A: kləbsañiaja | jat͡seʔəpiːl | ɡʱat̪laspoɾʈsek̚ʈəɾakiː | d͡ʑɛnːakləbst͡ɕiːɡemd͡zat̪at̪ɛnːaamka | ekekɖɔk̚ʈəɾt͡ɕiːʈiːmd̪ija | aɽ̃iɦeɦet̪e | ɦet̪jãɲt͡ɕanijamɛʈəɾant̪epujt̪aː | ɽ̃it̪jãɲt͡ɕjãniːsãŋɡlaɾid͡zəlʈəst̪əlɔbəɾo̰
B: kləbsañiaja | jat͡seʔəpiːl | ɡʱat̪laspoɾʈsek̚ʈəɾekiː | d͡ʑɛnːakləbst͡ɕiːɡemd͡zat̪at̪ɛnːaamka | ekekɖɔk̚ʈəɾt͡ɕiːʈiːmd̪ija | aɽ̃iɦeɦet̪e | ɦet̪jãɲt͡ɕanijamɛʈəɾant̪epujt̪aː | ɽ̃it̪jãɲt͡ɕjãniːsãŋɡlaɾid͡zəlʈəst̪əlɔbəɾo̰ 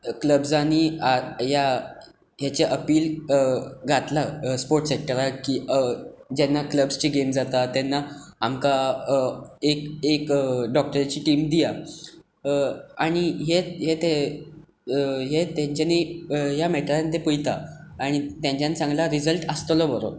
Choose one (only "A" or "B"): A